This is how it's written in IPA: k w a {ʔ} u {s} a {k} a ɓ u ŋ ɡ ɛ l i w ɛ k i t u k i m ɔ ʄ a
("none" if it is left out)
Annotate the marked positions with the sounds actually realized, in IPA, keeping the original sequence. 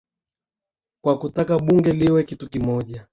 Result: k, t, k

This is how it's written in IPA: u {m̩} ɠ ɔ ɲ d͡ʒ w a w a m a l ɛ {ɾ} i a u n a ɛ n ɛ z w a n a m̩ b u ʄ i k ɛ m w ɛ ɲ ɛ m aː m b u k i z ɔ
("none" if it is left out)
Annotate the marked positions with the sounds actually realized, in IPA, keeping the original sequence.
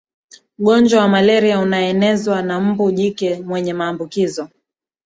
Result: none, ɾ

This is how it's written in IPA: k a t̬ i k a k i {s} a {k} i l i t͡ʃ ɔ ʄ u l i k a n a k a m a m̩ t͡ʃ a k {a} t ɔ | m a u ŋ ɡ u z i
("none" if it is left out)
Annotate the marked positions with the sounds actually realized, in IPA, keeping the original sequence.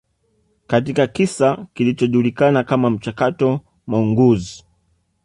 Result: s, k, a

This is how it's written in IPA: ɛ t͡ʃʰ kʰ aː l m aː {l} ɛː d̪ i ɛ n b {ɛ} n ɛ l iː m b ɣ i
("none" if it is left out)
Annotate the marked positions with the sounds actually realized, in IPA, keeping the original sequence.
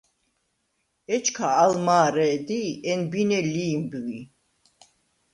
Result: ɾ, i

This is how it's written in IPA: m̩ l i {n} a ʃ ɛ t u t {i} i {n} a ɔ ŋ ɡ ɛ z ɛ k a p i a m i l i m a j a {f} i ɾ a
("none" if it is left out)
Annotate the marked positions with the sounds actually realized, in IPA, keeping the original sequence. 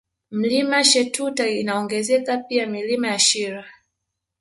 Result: m, a, n, ʃ

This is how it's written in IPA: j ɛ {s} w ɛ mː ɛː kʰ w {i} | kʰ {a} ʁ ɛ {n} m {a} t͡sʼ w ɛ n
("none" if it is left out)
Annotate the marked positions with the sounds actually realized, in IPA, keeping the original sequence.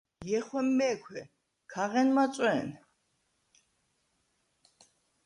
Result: χ, ɛ, a, n, a

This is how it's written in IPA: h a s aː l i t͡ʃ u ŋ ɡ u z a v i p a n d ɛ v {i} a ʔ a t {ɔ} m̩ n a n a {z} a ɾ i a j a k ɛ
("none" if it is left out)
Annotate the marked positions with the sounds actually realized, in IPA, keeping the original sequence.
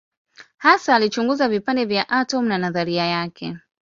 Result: j, ɔ, ð

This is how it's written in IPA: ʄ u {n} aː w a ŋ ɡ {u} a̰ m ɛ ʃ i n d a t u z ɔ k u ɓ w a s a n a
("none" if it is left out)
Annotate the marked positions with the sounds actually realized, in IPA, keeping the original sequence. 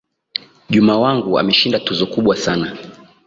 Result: m, u

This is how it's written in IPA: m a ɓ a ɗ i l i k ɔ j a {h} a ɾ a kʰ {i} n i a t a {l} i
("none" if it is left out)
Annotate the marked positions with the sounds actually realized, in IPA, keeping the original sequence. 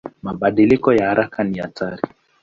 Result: h, a, ɾ

